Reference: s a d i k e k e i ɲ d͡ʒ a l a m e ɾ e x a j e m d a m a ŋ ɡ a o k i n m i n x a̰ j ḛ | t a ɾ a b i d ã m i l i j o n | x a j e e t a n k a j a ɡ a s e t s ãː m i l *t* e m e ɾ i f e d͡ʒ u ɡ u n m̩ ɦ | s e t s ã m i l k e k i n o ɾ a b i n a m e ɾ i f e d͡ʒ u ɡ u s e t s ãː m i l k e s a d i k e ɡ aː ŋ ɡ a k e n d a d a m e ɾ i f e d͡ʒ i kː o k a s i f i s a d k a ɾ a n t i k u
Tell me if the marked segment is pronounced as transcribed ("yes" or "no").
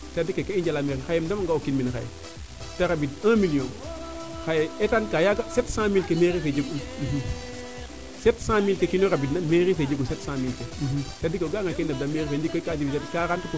no